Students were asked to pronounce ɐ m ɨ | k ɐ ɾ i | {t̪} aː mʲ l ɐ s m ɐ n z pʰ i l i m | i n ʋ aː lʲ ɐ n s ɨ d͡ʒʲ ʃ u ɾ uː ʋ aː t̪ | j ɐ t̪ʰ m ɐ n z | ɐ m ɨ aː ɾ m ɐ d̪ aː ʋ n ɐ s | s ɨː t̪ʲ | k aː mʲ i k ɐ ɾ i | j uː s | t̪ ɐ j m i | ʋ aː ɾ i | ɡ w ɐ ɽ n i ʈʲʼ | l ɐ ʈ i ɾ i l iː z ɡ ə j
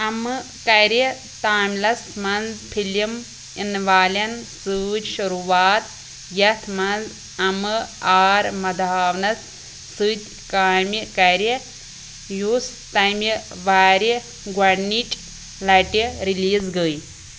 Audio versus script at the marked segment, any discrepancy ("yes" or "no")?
no